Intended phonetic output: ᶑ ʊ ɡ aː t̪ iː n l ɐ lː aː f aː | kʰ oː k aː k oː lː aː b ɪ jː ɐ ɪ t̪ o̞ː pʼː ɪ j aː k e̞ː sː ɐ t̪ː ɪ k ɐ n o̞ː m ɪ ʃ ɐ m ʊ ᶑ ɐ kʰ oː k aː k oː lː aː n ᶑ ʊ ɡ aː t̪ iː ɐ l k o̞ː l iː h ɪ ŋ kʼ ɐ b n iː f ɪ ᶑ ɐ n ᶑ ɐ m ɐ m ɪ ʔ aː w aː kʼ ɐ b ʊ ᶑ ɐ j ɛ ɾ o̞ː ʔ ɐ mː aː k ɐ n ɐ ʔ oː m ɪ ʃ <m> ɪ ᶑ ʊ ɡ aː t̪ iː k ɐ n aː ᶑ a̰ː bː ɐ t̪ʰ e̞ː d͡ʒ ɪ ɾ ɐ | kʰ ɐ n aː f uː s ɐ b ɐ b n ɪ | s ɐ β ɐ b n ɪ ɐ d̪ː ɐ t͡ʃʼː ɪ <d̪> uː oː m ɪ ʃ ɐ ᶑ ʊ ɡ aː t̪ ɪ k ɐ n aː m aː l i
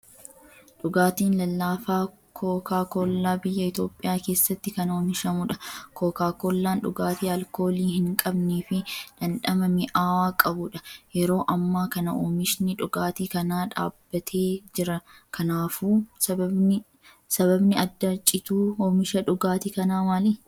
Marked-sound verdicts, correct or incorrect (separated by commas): incorrect, incorrect